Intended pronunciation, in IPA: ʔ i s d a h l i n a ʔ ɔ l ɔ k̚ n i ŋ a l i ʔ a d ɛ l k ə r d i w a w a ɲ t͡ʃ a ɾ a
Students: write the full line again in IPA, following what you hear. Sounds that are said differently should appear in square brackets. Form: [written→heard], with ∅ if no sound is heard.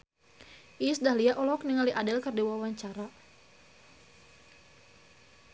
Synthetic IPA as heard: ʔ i s d a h l i [n→∅] a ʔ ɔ l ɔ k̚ n i ŋ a l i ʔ a d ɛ l k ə r d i w a w a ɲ t͡ʃ a ɾ a